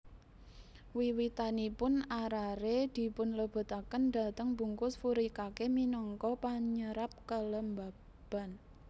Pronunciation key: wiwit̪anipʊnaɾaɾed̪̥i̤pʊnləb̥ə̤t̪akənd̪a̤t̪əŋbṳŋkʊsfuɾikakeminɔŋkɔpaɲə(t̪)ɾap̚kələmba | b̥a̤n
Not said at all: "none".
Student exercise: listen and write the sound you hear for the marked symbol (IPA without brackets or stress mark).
none